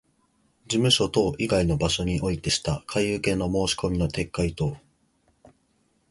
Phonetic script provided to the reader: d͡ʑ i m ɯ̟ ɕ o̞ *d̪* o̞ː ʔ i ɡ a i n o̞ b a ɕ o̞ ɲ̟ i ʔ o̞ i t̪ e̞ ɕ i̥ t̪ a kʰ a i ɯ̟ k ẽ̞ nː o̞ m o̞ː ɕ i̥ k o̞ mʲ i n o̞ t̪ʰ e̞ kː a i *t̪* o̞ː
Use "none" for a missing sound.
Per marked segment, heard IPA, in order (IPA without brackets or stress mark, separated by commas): t̪, t̪